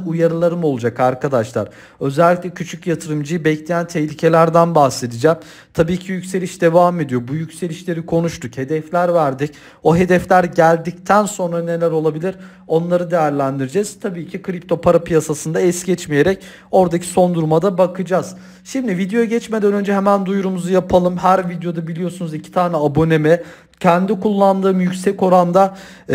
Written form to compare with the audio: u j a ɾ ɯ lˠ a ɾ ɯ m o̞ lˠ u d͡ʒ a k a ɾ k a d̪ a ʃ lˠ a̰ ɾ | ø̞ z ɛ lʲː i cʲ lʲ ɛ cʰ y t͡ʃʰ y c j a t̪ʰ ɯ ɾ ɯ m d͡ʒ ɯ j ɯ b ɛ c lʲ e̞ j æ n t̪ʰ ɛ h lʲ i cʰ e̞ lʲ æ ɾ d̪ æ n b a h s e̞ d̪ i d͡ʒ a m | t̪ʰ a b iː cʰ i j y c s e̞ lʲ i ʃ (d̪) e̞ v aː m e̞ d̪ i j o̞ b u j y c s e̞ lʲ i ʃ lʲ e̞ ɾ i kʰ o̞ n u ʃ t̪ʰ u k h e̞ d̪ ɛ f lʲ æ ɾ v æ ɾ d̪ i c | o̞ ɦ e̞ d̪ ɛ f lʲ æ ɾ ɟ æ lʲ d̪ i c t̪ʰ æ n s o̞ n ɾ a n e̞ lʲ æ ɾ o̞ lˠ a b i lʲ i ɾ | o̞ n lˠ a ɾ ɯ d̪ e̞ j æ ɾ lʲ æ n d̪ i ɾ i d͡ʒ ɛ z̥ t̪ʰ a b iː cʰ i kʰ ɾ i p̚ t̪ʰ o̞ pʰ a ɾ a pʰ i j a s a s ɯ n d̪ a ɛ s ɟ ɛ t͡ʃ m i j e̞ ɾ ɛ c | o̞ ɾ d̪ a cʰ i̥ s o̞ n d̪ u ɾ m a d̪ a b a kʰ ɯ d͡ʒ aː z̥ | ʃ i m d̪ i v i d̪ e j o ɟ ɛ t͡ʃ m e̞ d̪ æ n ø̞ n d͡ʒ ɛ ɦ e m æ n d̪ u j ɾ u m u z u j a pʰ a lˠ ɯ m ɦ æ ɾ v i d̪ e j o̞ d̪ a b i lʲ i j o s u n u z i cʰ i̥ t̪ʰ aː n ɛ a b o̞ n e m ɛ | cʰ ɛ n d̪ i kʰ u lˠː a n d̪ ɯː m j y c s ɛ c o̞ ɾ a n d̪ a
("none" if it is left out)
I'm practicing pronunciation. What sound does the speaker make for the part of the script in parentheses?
d̪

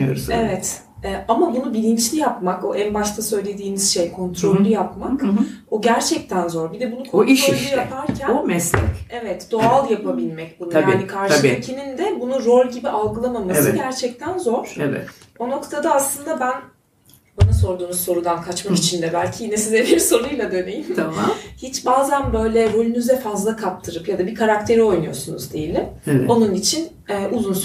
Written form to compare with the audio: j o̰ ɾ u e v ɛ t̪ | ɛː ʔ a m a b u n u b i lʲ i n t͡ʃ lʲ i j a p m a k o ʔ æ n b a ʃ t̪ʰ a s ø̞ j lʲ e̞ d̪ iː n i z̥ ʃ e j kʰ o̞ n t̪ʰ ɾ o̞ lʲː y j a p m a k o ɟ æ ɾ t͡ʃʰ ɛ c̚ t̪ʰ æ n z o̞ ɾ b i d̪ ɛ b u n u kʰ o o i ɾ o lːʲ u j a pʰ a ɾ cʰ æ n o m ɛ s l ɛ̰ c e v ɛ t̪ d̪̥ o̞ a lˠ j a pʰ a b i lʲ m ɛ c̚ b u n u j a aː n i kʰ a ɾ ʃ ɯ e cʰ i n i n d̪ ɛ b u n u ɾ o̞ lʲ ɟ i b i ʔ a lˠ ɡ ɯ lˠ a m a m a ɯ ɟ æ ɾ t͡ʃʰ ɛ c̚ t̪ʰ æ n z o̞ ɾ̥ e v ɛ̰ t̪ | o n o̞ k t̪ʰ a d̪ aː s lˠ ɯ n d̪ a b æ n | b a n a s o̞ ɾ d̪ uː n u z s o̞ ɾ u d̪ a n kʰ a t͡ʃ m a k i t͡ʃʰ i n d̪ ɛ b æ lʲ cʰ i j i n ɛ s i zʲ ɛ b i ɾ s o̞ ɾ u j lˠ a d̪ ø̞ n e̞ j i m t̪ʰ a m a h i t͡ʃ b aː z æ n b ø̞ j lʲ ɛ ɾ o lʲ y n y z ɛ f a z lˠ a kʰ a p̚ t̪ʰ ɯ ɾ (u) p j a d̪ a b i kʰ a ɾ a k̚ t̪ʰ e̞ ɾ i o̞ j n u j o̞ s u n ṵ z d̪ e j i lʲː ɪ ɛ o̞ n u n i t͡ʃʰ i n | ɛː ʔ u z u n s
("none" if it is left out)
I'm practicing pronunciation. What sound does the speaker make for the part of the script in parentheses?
ɯ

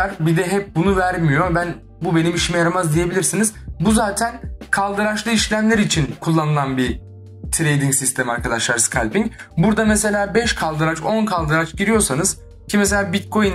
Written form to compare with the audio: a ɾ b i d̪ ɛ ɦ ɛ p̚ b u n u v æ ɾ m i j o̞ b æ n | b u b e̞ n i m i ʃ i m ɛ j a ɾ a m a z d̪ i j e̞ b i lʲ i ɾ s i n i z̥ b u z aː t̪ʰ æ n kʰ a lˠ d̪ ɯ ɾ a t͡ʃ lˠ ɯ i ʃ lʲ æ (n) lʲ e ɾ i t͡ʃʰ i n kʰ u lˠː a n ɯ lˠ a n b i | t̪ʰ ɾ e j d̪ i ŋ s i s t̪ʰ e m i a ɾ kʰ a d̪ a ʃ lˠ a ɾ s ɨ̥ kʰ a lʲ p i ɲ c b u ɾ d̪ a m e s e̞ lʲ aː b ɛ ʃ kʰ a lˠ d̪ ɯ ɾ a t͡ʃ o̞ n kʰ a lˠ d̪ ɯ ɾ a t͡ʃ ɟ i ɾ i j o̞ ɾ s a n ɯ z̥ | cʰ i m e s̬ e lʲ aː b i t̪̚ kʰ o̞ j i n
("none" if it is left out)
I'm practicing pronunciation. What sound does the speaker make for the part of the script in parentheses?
m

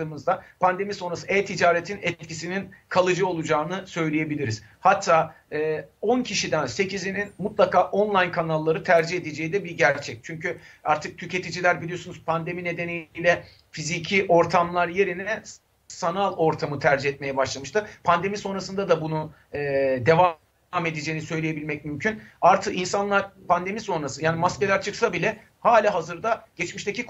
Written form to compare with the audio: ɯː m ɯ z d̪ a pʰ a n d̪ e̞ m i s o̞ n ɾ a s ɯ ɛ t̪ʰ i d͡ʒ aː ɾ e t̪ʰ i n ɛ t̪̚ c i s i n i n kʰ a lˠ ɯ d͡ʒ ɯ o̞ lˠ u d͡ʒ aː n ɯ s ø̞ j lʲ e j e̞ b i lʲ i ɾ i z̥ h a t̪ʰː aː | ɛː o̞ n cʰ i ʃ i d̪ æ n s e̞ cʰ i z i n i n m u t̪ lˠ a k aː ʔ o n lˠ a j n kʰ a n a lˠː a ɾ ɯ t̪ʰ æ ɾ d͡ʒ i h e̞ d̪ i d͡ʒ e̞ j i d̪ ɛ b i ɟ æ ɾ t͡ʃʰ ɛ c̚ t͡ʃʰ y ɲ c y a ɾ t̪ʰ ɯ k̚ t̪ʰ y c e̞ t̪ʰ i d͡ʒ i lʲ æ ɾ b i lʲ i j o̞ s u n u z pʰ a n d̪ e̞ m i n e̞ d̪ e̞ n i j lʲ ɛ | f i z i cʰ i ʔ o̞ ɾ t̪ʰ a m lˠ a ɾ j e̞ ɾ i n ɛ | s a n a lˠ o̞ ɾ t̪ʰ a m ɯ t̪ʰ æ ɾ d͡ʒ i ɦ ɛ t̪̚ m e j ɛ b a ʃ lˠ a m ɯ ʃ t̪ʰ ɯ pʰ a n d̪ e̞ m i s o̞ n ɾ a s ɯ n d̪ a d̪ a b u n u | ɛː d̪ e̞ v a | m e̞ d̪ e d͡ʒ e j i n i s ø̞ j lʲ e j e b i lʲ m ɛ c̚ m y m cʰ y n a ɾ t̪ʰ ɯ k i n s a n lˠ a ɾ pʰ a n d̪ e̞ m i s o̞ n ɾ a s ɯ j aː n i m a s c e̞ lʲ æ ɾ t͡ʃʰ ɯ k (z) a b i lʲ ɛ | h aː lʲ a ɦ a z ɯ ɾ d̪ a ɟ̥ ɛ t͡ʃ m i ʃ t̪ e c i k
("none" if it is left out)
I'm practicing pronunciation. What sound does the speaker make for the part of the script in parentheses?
s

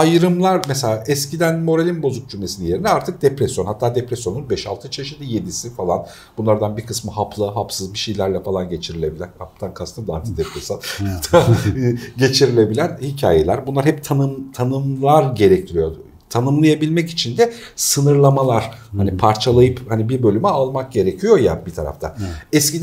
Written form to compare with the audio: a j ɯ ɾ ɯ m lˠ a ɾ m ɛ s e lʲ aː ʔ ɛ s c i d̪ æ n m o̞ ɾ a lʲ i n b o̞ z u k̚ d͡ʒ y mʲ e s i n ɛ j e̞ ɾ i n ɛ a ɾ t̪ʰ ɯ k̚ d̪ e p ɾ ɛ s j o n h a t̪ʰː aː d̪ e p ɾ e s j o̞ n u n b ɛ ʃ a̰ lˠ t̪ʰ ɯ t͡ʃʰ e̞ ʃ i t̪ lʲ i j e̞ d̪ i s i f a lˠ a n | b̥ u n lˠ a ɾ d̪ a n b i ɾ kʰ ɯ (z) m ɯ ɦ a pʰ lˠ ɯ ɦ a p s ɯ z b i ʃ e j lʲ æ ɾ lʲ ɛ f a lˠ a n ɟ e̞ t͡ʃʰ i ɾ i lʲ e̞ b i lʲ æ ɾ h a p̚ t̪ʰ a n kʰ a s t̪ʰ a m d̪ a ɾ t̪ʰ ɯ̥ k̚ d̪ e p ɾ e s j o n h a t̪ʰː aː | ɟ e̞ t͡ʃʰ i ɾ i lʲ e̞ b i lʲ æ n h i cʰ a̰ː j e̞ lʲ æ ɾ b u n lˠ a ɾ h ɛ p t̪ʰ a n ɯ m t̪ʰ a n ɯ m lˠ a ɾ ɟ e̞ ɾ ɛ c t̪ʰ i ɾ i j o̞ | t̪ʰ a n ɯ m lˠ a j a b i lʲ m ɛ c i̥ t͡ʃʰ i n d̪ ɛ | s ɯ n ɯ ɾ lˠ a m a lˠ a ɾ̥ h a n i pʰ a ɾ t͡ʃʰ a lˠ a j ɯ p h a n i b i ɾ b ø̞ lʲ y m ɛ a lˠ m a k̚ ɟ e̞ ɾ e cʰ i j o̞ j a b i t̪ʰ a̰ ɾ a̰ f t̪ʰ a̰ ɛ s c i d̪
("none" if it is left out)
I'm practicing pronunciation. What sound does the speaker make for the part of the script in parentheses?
s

